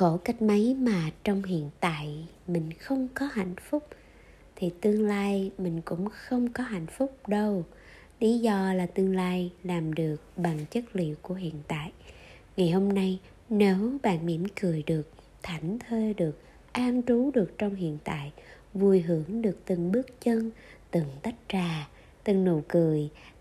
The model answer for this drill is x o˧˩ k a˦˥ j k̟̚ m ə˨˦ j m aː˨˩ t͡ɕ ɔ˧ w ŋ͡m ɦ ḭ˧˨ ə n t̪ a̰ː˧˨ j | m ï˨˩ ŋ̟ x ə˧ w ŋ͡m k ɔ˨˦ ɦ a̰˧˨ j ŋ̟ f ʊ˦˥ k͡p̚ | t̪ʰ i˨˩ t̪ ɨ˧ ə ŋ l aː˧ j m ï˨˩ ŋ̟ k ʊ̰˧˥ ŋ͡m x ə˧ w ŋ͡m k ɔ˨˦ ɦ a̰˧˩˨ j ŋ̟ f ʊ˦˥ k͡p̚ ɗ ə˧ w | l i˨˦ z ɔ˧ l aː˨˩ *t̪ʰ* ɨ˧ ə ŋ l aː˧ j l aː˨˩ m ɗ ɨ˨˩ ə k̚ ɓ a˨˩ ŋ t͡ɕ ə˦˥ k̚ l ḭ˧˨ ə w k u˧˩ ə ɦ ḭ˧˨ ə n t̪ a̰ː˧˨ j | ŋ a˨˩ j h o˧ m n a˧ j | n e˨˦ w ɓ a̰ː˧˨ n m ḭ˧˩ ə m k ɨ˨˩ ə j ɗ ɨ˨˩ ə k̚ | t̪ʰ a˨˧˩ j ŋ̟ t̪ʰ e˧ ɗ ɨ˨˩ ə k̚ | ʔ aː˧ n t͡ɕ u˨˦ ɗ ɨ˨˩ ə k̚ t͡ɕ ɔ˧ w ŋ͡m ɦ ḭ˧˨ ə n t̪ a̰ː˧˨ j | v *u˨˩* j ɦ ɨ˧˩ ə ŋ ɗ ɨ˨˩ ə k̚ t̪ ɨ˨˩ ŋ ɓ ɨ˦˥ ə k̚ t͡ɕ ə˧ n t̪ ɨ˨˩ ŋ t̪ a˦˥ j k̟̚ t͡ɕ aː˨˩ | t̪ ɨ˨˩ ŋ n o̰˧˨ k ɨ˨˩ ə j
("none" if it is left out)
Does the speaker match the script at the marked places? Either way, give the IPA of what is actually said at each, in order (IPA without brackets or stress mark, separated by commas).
t̪, u˨˩